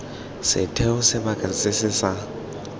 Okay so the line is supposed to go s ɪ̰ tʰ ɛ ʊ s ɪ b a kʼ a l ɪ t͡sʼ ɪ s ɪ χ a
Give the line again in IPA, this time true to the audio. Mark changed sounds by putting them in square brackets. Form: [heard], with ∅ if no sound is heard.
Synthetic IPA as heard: s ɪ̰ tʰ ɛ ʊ s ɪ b a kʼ a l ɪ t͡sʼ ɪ s ɪ [s] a